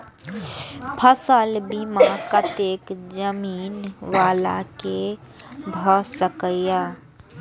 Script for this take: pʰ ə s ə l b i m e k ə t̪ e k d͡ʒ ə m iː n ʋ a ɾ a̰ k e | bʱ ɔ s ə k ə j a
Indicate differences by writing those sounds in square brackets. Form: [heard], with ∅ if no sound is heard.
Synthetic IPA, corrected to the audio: pʰ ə s ə l b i m [a] k ə t̪ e k d͡ʒ ə m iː n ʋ a [l] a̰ k e | bʱ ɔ s ə k ə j a